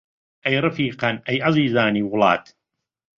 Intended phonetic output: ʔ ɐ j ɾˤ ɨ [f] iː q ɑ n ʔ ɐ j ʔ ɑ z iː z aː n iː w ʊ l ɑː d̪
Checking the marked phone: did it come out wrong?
no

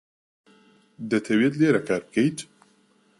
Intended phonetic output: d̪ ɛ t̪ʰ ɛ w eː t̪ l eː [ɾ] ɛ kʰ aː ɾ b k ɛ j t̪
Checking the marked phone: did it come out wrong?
no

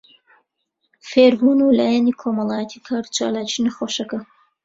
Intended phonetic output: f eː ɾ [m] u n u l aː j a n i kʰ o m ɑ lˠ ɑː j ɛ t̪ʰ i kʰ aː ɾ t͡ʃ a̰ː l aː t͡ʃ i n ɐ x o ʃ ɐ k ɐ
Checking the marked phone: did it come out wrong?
yes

